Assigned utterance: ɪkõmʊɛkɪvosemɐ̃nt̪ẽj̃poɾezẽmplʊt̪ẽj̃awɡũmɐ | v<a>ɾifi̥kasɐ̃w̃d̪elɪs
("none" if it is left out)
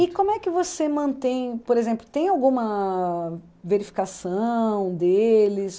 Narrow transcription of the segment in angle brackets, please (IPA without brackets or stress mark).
e